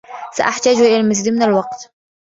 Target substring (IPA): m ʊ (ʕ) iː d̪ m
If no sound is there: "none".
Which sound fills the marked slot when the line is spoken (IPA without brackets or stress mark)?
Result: z